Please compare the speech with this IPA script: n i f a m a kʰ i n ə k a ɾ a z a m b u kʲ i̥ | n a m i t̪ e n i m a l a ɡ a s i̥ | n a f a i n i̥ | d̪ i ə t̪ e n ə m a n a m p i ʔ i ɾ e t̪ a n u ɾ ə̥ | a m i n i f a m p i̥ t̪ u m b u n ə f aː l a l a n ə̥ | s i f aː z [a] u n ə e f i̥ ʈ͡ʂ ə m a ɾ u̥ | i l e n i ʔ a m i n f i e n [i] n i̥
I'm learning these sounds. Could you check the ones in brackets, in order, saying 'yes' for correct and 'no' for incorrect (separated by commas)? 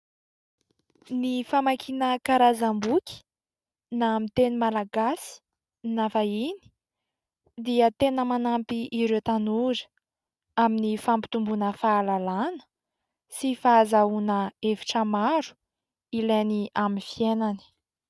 yes, no